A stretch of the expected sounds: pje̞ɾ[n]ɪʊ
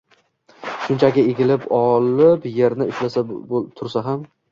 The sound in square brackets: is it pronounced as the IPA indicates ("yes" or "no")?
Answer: yes